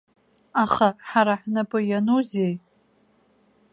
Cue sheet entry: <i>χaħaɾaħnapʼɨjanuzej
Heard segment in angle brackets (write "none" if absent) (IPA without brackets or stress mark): a